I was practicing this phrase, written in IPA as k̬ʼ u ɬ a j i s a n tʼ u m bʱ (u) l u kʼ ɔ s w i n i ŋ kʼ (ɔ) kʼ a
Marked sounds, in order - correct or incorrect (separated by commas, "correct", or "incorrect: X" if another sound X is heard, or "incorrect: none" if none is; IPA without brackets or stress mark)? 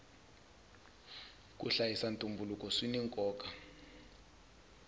correct, incorrect: ɔː